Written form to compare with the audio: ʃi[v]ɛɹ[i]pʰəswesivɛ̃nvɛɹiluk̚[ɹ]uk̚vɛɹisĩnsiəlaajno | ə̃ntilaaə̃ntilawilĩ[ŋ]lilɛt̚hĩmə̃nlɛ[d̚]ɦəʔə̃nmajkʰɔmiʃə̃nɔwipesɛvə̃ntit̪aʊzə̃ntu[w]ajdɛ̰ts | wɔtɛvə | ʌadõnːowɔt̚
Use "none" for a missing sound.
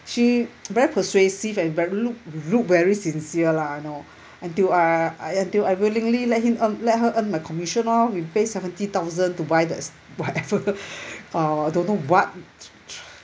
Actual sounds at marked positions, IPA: v, i, l, ŋ, t̚, b

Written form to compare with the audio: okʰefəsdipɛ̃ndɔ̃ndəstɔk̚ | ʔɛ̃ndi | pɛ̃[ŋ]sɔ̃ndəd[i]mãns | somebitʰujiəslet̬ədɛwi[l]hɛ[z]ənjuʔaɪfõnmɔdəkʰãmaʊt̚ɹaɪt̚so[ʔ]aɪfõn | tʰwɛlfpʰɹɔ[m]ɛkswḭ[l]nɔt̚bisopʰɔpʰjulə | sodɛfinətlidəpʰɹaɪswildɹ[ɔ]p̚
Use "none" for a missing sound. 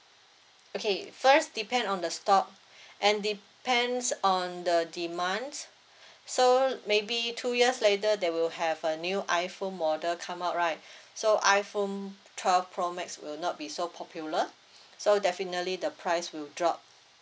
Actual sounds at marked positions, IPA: n, i, l, v, ʔ, m, l, ɔ

